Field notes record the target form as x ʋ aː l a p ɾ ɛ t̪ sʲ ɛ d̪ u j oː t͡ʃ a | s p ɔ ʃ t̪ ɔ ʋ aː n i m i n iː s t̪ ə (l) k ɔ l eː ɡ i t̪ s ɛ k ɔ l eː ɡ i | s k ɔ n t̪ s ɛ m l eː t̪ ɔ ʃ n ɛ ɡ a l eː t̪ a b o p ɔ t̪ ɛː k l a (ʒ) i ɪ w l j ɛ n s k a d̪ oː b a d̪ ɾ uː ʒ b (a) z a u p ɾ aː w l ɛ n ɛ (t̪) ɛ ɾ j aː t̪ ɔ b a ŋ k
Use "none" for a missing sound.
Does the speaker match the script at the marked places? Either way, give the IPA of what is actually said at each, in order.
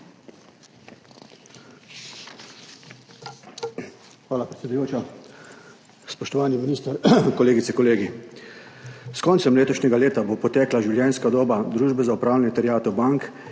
ɾ, ʒ, ɛ, t̪

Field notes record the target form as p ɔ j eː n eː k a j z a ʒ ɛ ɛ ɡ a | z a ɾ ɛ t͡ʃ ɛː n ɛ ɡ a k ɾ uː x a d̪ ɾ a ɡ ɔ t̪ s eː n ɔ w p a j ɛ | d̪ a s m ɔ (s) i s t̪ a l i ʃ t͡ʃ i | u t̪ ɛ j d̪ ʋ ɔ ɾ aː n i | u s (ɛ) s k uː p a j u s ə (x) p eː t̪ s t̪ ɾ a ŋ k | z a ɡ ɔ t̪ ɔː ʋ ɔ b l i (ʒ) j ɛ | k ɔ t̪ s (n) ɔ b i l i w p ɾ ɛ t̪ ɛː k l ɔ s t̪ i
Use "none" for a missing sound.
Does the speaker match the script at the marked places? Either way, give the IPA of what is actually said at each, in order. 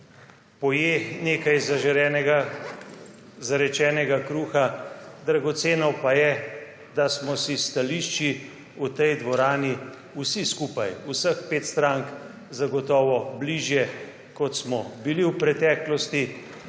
s, i, x, ʒ, m

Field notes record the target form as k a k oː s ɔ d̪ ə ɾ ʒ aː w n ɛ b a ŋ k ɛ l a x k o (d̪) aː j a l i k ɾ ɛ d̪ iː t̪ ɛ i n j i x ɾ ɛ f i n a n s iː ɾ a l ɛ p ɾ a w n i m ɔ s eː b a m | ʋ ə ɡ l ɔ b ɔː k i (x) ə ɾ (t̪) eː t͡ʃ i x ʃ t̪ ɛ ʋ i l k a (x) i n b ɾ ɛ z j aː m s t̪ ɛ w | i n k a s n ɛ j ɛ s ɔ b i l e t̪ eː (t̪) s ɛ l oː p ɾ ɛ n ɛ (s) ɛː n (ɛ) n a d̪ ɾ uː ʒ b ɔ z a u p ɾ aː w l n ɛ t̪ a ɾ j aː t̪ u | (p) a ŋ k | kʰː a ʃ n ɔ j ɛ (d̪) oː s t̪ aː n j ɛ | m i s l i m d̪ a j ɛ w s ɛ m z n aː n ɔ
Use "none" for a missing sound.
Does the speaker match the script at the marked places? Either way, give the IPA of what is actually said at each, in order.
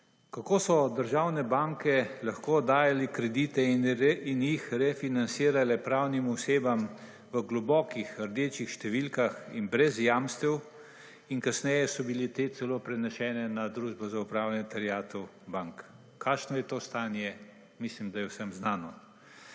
d̪, x, d̪, x, t̪, ʃ, ɛ, b, t̪

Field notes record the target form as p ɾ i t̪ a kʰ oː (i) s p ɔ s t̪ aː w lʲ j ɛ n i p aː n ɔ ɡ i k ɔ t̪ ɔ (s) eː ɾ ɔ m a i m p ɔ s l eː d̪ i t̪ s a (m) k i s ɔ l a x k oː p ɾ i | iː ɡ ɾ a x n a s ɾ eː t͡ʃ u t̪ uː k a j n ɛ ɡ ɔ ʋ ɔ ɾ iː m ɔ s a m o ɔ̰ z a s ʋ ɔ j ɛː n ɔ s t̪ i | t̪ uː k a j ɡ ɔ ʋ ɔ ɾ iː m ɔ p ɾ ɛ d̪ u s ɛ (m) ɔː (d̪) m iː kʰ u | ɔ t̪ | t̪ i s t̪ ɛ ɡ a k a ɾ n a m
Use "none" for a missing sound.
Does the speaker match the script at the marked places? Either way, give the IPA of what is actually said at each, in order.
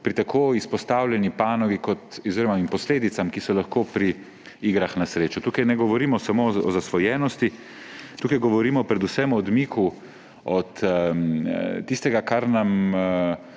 i, z, m, m, d̪

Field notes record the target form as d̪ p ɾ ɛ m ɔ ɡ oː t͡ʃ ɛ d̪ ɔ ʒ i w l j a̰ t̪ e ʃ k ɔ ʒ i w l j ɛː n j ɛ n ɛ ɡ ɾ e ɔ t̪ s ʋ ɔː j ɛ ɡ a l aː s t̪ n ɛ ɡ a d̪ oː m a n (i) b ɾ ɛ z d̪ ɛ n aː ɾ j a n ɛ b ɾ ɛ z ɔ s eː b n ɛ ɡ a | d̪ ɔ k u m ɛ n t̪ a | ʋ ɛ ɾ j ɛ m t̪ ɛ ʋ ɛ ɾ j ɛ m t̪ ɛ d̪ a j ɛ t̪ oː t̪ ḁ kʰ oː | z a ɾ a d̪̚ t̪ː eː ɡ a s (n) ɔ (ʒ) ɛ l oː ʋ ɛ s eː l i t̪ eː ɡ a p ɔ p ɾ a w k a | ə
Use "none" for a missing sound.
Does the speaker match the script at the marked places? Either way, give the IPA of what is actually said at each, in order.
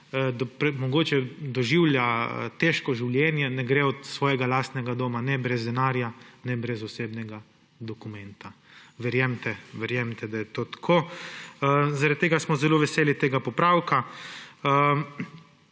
ɛ, m, z

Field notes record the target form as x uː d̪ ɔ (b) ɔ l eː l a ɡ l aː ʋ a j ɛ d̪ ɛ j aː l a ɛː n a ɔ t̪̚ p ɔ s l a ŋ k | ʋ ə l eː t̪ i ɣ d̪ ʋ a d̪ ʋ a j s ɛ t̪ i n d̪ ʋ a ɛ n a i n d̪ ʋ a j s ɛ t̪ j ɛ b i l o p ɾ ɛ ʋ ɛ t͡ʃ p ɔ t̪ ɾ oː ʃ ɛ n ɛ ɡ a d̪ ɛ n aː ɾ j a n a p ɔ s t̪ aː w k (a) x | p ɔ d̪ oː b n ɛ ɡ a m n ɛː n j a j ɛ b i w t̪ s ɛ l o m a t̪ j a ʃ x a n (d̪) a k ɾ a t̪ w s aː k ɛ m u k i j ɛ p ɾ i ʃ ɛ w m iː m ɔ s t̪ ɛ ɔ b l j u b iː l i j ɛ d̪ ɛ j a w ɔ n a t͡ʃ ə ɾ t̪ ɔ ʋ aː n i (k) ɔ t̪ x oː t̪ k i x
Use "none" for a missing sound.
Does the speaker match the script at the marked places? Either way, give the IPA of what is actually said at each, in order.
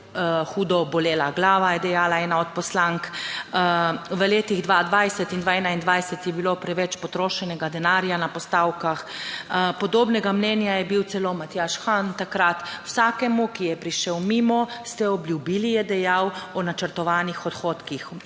b, a, t̪, x

